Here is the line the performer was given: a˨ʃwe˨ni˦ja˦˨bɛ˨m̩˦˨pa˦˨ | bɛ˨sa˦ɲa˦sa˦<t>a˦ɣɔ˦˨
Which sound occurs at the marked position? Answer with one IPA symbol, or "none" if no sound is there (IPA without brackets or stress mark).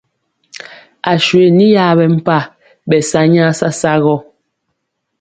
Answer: s